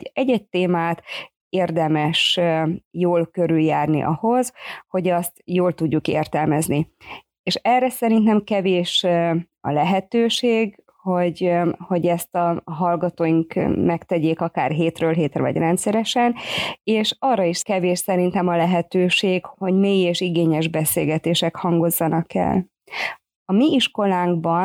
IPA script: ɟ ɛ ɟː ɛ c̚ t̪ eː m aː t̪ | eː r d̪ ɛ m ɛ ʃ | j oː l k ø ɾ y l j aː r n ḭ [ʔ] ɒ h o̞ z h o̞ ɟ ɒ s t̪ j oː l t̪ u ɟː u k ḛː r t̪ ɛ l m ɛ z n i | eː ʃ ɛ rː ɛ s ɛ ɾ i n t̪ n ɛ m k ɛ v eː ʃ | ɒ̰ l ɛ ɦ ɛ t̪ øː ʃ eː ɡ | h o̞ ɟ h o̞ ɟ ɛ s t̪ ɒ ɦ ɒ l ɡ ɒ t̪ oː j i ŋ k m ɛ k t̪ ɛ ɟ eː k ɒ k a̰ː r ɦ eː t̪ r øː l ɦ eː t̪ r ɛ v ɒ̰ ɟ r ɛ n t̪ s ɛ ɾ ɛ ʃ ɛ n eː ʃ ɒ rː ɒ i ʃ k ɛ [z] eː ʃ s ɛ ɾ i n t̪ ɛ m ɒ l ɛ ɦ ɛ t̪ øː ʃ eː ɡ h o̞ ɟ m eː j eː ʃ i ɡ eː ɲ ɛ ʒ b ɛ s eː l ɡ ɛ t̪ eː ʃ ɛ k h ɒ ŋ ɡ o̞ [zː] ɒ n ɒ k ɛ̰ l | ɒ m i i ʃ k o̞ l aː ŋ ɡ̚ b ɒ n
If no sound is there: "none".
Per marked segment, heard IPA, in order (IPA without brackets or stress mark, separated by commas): ʔ, v, zː